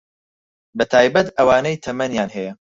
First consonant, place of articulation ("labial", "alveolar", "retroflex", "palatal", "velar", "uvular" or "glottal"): labial